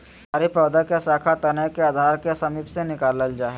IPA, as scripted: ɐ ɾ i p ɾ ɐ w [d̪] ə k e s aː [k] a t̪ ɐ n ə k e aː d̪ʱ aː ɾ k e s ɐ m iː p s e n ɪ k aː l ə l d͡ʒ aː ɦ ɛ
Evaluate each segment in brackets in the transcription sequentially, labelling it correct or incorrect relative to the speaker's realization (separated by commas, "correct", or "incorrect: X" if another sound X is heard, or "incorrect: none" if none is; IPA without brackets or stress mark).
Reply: correct, incorrect: kʰ